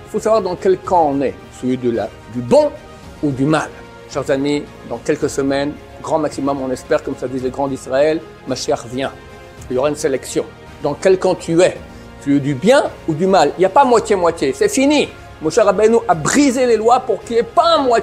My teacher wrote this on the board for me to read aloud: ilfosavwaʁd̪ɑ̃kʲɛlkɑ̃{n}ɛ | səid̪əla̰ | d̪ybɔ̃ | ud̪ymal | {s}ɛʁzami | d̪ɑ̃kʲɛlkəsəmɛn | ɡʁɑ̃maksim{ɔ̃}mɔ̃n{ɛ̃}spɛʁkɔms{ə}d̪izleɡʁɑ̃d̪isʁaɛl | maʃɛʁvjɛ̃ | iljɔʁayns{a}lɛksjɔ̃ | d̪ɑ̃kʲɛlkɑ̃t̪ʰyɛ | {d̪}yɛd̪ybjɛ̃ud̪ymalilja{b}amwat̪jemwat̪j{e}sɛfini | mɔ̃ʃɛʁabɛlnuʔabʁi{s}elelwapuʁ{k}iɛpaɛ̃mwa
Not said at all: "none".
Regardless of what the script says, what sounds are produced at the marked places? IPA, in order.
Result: n, ʃ, ɔ, ɛ, a, e, t̪, p, e, z, k

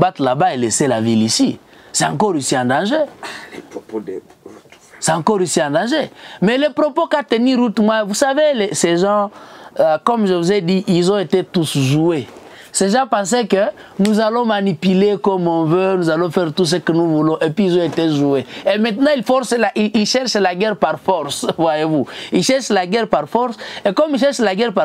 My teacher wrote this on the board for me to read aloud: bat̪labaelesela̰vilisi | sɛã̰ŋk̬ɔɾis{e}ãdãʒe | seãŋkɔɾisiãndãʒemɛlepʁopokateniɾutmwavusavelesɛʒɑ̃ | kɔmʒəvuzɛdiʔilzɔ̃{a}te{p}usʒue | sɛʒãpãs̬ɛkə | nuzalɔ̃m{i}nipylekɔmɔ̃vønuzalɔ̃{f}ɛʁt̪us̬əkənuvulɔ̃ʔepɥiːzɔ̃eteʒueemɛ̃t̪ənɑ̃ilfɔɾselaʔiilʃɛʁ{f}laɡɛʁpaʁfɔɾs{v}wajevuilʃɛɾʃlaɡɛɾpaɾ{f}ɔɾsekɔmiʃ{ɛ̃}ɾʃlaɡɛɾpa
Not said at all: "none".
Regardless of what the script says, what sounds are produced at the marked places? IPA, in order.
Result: i, e, t, a, f, ʃ, v, f, ɛ

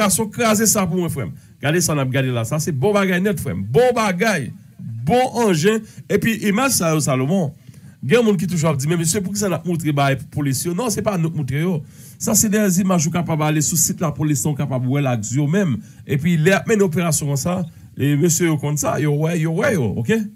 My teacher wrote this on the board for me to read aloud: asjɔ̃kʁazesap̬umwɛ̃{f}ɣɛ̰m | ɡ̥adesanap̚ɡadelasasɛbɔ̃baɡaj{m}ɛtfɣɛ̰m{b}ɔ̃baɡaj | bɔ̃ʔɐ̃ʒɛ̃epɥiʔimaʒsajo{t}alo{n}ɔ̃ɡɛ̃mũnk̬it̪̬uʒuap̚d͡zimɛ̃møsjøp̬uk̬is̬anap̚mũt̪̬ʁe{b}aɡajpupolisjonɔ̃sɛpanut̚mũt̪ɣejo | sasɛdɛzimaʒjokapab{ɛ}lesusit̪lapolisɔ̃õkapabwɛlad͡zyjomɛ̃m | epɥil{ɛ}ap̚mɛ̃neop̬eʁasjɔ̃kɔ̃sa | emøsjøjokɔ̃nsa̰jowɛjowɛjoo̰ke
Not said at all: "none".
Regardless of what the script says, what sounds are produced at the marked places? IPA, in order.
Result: f, n, b, s, m, b, a, ɛ

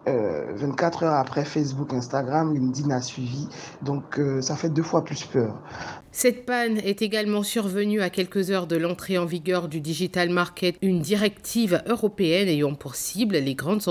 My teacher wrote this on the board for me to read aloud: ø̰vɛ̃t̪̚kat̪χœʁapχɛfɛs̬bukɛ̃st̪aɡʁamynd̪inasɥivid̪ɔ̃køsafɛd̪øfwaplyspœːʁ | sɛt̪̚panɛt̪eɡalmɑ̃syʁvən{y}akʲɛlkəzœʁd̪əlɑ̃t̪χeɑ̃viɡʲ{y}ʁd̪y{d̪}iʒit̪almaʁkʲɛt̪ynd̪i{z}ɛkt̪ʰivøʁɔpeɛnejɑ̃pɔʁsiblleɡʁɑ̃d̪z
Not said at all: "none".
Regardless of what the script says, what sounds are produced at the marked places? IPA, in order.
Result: y, œ, d̪, ʁ

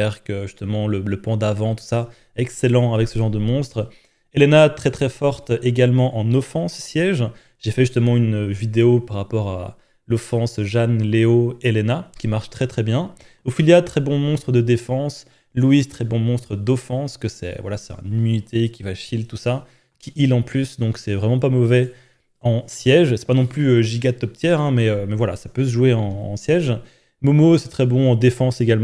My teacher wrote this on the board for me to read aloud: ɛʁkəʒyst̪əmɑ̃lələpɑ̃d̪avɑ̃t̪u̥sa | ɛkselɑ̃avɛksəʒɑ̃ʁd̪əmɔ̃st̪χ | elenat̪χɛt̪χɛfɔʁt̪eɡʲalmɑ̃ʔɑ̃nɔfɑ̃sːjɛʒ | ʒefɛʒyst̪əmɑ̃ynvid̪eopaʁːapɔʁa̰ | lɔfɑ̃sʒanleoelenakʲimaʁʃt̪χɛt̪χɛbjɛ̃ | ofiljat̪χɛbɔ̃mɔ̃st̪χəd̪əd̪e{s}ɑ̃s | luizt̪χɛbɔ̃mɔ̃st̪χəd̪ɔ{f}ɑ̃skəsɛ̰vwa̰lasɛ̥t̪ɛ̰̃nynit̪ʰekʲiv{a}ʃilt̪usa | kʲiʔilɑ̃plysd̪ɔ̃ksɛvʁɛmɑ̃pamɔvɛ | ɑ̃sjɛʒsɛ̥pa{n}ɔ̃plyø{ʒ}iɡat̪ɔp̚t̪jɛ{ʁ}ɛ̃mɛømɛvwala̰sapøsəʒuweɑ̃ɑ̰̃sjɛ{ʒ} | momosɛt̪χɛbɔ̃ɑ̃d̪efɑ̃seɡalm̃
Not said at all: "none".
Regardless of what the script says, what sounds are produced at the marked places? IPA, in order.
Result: f, f, a, n, ʒ, ʁ, ʒ

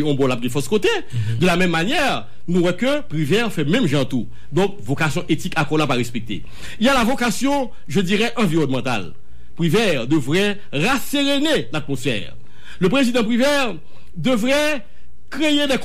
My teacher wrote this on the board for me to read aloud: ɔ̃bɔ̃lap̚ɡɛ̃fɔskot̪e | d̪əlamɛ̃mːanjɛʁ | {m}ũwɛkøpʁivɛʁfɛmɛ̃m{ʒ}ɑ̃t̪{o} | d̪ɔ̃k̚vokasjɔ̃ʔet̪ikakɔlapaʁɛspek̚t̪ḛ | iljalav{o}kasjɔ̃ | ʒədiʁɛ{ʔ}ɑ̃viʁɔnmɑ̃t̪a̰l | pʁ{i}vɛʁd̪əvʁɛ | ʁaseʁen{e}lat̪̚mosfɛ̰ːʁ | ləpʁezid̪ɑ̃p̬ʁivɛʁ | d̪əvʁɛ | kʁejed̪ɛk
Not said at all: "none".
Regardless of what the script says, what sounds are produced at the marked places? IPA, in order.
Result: n, ʒ, u, o, ʔ, i, e

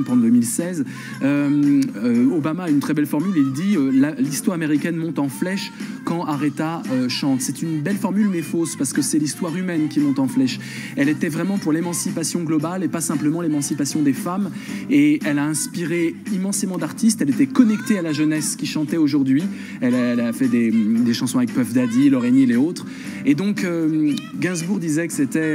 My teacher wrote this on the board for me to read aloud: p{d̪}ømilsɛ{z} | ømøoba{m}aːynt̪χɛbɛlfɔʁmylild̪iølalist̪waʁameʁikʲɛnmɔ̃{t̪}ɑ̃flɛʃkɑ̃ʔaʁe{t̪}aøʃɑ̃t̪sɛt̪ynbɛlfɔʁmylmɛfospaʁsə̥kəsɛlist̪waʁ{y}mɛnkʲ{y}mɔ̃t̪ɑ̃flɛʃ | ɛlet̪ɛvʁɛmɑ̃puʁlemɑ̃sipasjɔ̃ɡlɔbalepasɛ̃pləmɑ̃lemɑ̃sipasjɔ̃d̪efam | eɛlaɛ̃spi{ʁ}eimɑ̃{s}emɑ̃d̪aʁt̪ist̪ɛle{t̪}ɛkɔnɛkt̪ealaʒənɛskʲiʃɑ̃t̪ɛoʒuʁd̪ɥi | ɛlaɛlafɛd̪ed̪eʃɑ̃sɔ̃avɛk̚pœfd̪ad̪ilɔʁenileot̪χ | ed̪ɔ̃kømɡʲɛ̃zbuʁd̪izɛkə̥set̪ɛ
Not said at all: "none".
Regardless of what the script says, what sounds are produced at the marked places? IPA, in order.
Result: d̪, z, m, t̪, t̪, y, i, ʁ, s, t̪

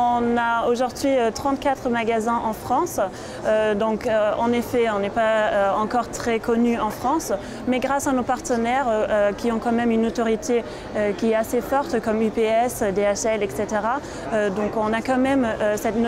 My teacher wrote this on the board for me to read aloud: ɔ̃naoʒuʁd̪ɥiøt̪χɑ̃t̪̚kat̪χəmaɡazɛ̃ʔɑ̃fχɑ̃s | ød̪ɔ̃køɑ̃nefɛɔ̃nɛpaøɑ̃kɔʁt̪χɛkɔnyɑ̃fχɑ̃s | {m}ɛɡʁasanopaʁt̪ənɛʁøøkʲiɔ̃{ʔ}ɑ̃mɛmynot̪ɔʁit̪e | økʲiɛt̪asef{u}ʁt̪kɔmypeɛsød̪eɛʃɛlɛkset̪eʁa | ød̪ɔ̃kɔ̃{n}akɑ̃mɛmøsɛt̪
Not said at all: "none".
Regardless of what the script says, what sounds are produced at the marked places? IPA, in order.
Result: m, k, ɔ, n

